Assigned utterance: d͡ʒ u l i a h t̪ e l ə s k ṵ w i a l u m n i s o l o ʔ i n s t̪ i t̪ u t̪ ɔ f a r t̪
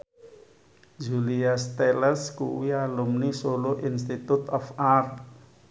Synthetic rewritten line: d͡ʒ u l i a s t̪ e l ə s k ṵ w i a l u m n i s o l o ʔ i n s t̪ i t̪ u t̪ ɔ f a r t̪